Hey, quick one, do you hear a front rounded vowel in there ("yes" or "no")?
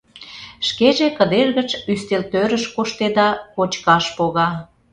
yes